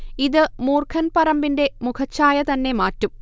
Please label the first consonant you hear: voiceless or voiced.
voiced